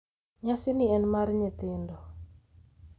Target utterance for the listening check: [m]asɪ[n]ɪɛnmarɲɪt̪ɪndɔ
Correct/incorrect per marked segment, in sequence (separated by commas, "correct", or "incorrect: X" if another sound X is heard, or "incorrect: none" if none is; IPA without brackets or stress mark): incorrect: ɲ, correct